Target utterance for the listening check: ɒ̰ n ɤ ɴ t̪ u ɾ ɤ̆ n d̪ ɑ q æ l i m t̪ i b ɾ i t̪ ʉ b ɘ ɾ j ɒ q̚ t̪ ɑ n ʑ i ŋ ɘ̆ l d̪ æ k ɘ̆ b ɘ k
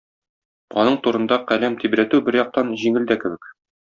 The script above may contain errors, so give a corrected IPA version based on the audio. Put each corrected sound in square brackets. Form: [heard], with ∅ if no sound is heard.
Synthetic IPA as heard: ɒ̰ n ɤ ɴ t̪ u ɾ ɤ̆ n d̪ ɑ q æ l [æ] m t̪ i b ɾ [æ] t̪ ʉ b ɘ ɾ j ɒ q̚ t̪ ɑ n ʑ i ŋ ɘ̆ l d̪ æ k ɘ̆ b ɘ k